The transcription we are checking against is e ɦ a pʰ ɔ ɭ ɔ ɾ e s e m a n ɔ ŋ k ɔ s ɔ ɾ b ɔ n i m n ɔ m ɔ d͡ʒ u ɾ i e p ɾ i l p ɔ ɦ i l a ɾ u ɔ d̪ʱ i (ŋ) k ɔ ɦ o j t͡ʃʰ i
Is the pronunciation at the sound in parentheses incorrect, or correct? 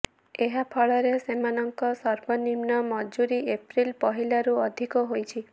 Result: incorrect